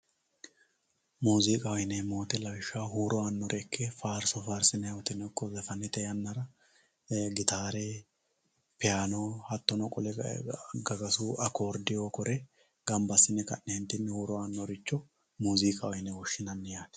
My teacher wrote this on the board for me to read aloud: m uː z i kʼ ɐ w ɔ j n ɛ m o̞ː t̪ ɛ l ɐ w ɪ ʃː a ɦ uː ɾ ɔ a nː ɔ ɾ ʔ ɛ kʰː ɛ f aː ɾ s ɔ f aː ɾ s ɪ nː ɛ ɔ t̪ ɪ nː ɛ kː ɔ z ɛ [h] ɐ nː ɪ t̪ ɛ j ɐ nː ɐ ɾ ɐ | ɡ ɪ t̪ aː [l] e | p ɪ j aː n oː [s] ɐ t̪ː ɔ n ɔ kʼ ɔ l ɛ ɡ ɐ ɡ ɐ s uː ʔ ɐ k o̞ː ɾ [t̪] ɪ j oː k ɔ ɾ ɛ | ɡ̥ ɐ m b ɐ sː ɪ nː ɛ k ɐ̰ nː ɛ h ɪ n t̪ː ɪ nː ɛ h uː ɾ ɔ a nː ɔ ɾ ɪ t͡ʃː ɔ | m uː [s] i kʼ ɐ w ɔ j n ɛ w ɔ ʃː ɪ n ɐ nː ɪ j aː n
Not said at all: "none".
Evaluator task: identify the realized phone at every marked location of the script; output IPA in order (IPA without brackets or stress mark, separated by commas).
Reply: f, ɾ, h, d̪, z